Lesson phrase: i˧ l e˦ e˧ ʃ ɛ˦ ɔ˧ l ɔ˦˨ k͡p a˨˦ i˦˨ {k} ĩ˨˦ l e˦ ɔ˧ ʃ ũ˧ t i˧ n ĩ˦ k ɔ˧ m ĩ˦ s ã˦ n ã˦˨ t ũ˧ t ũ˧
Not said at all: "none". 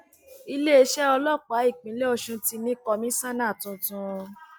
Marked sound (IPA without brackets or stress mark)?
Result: k͡p